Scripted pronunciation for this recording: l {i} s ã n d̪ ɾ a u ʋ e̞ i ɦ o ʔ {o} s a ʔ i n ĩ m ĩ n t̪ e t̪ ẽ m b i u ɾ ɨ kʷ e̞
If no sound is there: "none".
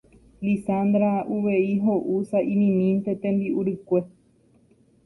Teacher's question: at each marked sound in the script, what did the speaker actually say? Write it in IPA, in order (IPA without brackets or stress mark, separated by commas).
i, u